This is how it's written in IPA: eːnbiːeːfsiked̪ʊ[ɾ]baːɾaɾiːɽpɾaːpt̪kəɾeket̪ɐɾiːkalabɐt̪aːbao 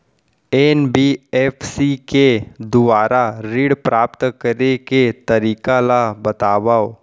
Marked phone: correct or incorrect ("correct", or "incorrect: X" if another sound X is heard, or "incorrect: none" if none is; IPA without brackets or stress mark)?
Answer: incorrect: none